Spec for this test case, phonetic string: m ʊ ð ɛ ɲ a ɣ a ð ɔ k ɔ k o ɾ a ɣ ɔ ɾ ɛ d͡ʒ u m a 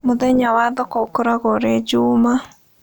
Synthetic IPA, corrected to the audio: m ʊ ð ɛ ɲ a w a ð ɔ k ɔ k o ɾ a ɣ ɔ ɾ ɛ d͡ʒ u m a

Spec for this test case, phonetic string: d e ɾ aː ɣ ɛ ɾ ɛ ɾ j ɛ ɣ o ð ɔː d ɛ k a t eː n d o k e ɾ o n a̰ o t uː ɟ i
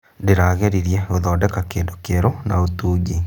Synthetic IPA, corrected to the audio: d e ɾ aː ɣ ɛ ɾ i ɾ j ɛ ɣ o ð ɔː d ɛ k a k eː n d o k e ɾ o n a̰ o t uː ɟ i

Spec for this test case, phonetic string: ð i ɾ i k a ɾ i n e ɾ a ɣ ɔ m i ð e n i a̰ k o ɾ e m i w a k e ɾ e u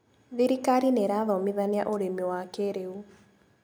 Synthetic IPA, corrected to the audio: ð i ɾ i k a ɾ i n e ɾ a ð ɔ m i ð a n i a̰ ʔ o ɾ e m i w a k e ɾ e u

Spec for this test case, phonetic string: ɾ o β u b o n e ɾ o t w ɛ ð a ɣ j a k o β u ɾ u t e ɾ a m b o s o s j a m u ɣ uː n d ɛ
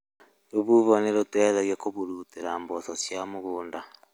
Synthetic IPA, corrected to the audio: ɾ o β u β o n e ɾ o t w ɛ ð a ɣ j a k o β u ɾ u t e ɾ a m b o s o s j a m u ɣ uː n d a

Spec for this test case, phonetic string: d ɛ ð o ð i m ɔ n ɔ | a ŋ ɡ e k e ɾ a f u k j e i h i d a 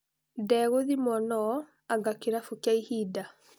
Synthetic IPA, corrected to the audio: d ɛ ɣ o ð i m ɔ n ɔ | a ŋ ɡ a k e ɾ a f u k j a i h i d a

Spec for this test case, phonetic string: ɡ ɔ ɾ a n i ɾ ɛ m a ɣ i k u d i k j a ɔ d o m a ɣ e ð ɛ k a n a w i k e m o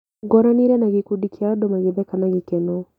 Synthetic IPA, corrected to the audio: ɡ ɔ ɾ a n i ɾ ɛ n a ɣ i k u d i k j a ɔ d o m a ɣ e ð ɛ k a n a ɣ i k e n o

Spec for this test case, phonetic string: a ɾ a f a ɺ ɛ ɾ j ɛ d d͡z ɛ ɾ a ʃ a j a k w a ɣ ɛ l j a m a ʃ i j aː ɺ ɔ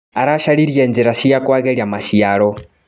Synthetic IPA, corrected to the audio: a ɾ a ʃ a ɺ i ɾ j ɛ n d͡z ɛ ɾ a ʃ i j a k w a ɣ ɛ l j a m a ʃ i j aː ɺ ɔ

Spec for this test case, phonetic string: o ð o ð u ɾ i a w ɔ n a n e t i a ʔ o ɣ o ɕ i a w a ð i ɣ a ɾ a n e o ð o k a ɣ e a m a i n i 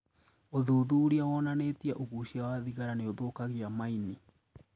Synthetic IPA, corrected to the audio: o ð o ð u ɾ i a w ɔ n a n e t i a ʔ o ɣ u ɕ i a w a ð i ɣ a ɾ a n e o ð o k a ɣ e a m a i n i

